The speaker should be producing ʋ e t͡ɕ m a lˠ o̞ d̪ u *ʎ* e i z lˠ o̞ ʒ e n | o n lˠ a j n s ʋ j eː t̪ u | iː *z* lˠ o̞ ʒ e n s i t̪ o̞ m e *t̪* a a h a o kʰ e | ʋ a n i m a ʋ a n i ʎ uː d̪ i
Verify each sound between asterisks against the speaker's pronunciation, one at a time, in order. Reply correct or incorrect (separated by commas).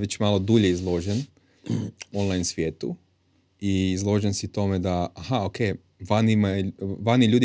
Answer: correct, correct, incorrect